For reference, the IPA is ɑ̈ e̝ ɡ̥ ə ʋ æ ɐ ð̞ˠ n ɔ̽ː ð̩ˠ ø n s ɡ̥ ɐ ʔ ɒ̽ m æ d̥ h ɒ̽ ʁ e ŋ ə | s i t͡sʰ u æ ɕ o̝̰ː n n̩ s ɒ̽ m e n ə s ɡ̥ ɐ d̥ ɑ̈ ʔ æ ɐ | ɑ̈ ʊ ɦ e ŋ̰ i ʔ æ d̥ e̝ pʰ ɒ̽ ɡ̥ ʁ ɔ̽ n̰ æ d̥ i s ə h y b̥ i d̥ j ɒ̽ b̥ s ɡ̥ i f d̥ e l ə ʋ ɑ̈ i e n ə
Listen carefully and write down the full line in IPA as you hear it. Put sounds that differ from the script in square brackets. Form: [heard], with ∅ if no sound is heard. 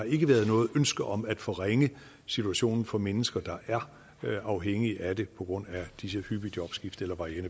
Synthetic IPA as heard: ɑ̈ e̝ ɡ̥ ə ʋ æ ɐ ð̞ˠ n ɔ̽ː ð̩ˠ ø n s ɡ̥ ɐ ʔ ɒ̽ m æ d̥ [f] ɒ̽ ʁ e ŋ ə | s i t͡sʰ u æ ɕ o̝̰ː n n̩ [f] ɒ̽ m e n ə s ɡ̥ ɐ d̥ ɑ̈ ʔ æ ɐ | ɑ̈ ʊ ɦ e ŋ̰ i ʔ æ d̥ e̝ pʰ ɒ̽ ɡ̥ ʁ ɔ̽ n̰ æ d̥ i s ə h y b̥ i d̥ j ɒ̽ b̥ s ɡ̥ i f d̥ e l [ɐ] ʋ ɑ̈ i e n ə